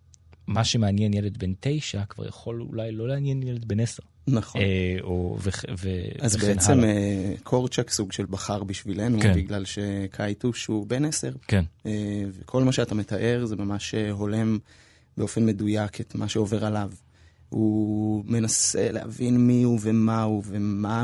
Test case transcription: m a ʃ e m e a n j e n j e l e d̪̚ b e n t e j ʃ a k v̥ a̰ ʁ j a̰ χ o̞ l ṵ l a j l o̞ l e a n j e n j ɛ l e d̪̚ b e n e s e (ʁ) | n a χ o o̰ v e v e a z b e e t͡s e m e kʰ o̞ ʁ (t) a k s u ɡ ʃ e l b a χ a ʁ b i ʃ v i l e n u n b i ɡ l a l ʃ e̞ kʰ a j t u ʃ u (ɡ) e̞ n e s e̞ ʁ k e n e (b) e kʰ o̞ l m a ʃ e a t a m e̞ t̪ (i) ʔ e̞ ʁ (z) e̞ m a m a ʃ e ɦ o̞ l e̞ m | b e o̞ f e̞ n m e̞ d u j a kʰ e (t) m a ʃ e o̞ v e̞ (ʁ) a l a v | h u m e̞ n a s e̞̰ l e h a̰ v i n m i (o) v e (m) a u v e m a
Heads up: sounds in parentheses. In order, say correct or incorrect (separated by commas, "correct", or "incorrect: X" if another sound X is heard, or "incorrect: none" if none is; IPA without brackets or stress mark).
correct, incorrect: t͡ʃ, incorrect: b, incorrect: v, incorrect: a, correct, correct, correct, incorrect: u, correct